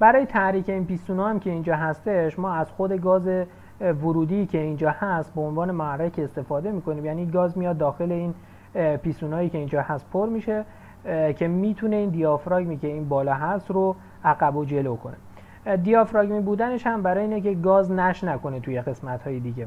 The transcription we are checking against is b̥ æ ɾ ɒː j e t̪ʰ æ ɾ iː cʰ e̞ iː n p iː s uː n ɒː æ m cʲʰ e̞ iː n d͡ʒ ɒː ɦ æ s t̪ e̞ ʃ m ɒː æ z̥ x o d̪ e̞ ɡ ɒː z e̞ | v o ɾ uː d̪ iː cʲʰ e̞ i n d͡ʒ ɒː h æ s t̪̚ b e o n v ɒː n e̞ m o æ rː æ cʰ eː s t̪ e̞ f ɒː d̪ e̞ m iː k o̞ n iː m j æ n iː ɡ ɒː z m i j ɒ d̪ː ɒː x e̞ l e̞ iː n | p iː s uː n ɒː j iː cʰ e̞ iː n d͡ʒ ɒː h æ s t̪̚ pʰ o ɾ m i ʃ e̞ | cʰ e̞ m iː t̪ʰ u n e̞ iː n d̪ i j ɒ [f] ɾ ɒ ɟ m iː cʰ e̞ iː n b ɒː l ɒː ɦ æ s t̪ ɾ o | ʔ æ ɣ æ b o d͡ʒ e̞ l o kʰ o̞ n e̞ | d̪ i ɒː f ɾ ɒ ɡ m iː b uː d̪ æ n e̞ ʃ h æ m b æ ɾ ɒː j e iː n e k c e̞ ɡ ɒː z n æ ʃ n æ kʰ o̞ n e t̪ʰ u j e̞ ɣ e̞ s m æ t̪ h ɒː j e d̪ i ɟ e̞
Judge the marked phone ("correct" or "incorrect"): correct